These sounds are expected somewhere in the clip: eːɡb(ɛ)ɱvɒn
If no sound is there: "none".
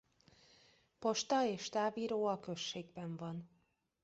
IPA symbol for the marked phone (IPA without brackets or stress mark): ɛ